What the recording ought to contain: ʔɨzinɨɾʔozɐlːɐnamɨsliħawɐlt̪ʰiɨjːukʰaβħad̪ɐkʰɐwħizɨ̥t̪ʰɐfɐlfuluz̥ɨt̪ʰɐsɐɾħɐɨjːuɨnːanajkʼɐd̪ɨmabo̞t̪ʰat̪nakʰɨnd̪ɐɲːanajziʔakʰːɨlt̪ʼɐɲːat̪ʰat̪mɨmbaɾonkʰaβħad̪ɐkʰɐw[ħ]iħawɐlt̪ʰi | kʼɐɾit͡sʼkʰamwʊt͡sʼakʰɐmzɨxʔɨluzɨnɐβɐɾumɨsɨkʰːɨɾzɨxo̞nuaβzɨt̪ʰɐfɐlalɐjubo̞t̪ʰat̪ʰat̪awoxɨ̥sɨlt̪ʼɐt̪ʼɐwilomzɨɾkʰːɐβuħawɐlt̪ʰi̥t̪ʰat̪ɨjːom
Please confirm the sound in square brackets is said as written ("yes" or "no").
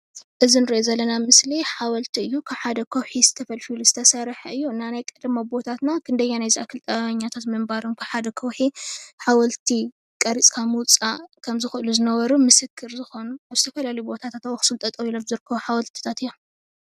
yes